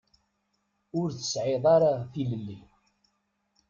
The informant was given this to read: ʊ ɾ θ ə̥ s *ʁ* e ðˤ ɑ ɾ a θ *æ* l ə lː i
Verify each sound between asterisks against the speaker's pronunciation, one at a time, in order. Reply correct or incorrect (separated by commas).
incorrect, incorrect